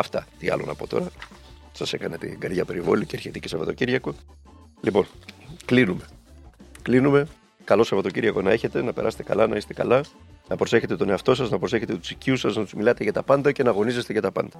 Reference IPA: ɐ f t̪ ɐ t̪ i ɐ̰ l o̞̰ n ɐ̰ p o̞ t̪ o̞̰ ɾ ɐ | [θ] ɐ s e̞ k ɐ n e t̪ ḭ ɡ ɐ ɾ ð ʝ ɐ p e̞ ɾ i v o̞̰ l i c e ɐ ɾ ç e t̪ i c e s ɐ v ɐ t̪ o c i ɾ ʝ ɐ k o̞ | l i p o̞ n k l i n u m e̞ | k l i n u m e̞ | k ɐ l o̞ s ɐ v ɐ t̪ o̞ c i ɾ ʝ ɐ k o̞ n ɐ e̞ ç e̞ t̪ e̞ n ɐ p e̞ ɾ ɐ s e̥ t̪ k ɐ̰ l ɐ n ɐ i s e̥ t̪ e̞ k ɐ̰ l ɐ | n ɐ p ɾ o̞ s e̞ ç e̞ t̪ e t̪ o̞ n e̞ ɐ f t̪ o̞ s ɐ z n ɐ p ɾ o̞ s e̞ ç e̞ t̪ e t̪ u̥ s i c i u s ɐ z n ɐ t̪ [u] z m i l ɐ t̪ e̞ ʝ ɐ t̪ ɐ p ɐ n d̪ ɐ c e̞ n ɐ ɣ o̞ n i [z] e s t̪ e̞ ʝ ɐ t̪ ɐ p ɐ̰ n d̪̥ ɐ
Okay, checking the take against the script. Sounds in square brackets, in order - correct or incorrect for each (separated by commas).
incorrect, correct, correct